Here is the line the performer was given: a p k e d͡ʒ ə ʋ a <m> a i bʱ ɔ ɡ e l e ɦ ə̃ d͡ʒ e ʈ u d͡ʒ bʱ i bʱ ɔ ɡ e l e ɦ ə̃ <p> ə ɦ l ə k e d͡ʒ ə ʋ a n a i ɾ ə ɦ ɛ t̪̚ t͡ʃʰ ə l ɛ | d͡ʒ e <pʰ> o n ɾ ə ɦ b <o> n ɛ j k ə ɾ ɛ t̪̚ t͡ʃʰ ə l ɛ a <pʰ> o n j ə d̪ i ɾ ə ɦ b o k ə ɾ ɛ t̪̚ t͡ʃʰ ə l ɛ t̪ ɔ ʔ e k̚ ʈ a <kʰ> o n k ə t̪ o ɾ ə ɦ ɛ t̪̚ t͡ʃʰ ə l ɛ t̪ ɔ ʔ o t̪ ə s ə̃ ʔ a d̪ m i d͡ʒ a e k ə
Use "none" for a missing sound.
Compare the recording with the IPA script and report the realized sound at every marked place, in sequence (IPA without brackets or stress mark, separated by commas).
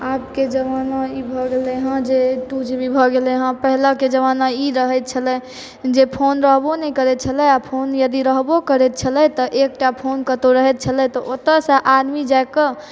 n, p, pʰ, o, pʰ, pʰ